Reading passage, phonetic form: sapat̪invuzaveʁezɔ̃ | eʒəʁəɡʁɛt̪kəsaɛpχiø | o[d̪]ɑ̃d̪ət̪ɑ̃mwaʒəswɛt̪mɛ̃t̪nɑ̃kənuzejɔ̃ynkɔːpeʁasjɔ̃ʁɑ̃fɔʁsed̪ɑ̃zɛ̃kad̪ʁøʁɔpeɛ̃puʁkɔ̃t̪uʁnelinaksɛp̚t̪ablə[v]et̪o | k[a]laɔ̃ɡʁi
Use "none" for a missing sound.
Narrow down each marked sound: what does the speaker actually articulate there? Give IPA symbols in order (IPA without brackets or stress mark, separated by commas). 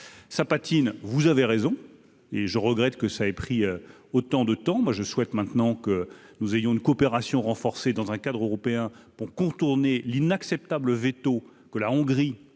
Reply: t̪, v, ə